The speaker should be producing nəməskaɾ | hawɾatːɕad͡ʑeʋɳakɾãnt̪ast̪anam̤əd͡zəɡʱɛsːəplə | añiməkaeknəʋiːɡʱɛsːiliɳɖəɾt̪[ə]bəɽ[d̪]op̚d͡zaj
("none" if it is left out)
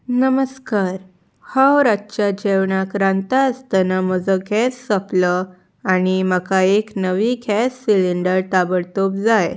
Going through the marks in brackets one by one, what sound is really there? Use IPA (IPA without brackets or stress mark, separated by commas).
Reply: a, t̪